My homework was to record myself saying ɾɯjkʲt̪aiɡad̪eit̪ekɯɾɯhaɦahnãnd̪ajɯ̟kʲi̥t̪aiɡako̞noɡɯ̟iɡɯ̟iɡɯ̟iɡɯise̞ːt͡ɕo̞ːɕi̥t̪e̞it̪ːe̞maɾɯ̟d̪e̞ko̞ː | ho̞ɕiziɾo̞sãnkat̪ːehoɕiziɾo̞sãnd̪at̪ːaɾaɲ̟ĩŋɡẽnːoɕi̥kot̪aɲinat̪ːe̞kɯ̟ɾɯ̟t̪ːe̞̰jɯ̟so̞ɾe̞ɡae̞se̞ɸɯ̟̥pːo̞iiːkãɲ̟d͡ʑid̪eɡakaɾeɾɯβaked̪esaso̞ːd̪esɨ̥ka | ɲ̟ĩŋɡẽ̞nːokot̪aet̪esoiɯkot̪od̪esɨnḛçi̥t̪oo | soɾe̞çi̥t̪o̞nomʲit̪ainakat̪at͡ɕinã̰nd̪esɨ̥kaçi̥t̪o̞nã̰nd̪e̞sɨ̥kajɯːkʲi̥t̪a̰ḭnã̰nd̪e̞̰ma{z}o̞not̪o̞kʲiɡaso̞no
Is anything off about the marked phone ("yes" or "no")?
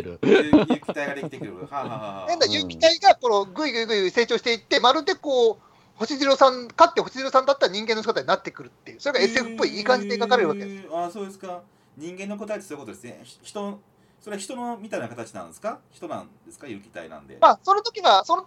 yes